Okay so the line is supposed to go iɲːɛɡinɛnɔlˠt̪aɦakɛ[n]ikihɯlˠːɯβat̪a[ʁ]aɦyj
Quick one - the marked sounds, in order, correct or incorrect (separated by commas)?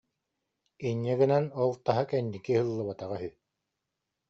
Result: incorrect, correct